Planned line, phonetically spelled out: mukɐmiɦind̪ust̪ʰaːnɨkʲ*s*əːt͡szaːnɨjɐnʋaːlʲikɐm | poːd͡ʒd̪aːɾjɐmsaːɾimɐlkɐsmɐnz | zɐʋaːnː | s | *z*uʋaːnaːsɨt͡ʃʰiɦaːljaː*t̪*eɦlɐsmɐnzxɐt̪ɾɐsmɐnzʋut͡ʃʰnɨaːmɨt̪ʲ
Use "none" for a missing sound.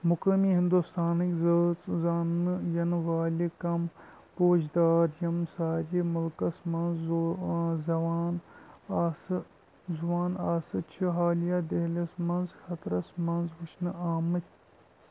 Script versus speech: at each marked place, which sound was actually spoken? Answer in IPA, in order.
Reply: z, z, d̪

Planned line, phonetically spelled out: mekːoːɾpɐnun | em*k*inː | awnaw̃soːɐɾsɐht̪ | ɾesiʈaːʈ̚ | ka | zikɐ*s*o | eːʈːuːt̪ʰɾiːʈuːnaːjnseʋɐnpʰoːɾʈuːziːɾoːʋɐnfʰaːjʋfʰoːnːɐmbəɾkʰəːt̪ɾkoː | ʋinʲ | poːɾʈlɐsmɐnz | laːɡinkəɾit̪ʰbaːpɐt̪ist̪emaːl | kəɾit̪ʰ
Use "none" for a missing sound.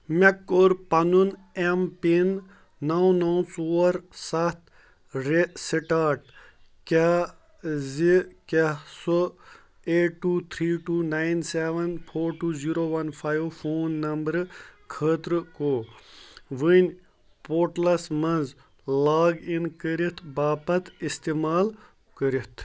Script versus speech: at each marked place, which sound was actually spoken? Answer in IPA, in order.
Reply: p, s

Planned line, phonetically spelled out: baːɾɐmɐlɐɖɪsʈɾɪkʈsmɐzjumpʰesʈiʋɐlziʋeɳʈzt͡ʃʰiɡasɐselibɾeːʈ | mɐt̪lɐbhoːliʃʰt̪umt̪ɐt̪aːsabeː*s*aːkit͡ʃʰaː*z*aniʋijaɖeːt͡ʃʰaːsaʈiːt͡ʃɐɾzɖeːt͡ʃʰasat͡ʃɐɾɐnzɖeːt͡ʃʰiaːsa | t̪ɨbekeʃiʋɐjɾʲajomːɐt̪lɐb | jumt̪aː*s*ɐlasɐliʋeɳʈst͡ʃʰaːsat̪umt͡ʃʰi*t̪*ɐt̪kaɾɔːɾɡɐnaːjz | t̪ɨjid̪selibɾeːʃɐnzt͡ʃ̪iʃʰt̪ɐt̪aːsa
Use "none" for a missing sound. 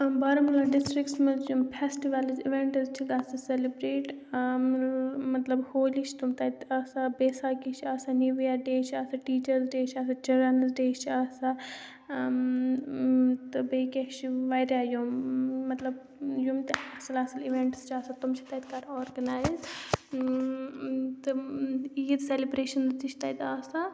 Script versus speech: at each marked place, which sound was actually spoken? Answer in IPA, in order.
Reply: s, s, s, t̪

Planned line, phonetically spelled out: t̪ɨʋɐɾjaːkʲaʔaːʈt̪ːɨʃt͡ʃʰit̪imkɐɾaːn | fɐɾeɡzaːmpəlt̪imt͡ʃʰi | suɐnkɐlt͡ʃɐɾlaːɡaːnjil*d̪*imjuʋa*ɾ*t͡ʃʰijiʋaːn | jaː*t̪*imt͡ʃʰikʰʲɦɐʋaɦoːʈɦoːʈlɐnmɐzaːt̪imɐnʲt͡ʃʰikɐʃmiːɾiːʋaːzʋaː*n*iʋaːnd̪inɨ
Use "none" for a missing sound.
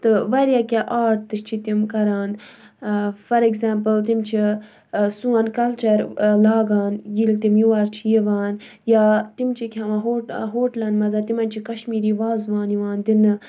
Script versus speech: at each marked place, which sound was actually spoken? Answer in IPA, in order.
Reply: t̪, ɾ, t̪, n

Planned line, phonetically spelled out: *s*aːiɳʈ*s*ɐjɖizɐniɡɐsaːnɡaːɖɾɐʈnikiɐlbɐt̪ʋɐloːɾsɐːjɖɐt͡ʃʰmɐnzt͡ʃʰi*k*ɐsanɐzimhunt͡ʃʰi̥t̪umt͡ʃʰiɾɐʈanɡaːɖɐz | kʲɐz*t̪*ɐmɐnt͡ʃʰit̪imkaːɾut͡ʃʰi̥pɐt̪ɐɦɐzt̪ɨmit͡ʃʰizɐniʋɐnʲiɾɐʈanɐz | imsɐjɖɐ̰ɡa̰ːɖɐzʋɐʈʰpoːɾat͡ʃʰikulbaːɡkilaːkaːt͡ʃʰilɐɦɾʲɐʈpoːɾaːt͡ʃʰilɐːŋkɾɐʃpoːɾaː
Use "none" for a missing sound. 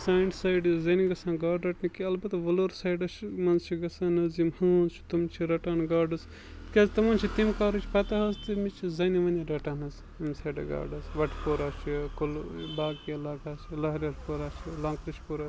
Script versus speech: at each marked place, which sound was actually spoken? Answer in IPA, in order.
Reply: s, s, ɡ, t̪

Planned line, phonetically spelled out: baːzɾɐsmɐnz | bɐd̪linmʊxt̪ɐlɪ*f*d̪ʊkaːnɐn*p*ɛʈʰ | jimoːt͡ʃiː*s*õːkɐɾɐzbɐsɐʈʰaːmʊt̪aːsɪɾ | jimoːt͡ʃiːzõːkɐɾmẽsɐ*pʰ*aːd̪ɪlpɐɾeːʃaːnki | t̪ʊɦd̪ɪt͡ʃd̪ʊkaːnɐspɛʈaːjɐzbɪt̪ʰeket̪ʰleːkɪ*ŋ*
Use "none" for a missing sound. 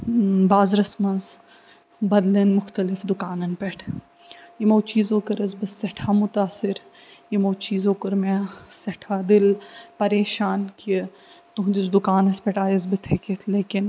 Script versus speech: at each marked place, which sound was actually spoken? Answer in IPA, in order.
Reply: f, p, z, ʈʰ, n

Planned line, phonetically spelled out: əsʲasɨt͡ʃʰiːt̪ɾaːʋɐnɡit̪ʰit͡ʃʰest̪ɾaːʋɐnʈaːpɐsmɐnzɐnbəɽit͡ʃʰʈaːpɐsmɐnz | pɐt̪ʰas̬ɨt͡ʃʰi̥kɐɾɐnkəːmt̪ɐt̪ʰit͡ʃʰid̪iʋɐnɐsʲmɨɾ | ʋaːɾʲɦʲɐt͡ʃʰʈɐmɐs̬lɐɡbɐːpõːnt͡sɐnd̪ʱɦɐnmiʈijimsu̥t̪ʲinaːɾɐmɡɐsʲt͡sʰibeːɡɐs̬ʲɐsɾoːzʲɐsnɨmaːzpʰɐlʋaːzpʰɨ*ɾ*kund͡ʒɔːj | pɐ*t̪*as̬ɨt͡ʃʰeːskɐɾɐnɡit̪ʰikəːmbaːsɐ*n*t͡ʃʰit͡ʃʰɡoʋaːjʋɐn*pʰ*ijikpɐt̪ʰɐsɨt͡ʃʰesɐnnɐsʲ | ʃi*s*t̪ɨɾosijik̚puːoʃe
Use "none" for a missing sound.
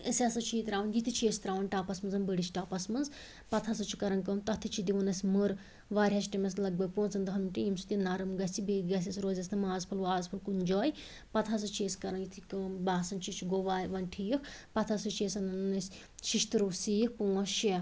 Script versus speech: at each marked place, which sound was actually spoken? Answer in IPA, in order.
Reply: l, t̪ʰ, n, ʈʰ, ʃ

